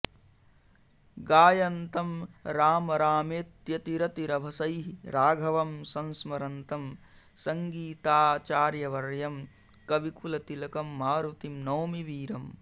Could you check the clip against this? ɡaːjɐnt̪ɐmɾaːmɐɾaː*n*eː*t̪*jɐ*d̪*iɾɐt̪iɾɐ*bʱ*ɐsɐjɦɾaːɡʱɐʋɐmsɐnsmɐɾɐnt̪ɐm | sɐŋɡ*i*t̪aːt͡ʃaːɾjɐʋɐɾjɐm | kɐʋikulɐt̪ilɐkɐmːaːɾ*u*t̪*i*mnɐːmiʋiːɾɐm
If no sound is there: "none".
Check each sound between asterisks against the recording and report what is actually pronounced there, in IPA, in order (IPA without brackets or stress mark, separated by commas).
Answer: m, t̪, t̪, bʱ, iː, u, i